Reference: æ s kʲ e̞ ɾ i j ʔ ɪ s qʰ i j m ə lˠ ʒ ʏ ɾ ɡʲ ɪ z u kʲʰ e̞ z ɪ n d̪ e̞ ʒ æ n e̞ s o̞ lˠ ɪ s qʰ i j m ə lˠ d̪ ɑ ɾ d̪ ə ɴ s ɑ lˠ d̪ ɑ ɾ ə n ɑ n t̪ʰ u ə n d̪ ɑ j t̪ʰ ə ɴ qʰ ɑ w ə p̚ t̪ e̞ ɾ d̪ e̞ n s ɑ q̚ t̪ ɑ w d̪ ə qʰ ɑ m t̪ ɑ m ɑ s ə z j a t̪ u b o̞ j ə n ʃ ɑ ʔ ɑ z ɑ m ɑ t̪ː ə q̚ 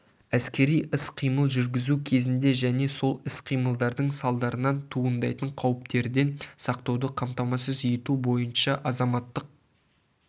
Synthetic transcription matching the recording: æ s kʲ e̞ ɾ i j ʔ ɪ s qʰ i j m ə lˠ ʒ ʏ ɾ ɡʲ ɪ z u kʲʰ e̞ z ɪ n d̪ e̞ ʒ æ n e̞ s o̞ lˠ ɪ s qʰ i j m ə lˠ d̪ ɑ ɾ d̪ ə ɴ s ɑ lˠ d̪ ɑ ɾ ə n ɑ n t̪ʰ u ə n d̪ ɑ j t̪ ə ɴ qʰ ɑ w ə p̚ t̪ e̞ ɾ d̪ e̞ n s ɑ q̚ t̪ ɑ w d̪ ə qʰ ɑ m t̪ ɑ m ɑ s ə z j e t̪ u b o̞ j ə n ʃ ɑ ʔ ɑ z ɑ m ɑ t̪ː ə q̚